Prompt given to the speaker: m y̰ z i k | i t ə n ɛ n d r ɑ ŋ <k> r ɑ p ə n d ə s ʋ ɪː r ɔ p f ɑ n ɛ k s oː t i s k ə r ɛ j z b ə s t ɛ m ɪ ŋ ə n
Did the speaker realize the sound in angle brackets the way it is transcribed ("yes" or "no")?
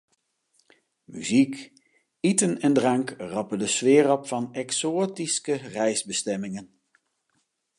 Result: yes